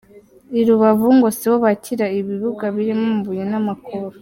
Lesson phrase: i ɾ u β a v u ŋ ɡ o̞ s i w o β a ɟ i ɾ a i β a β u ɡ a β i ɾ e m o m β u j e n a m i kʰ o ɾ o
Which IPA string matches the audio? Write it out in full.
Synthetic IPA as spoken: i ɾ u β a v u ŋ ɡ o̞ s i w o β a c i ɾ a i β i β u ɡ a β i ɾ i m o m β u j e n a m a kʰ o ɾ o